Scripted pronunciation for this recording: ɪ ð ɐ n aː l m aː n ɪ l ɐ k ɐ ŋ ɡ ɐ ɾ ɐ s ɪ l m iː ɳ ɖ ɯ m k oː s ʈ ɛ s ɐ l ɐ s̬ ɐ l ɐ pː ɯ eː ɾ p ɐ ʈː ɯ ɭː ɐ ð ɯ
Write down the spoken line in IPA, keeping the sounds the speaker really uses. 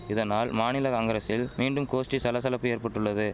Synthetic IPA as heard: ɪ ð ɐ n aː l m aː n ɪ l ɐ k ɐ ŋ ɡ ɐ ɾ ɐ s ɪ l m iː ɳ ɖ ɯ m k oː s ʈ i s ɐ l ɐ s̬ ɐ l ɐ pː ɯ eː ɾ p ɐ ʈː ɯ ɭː ɐ ð ɯ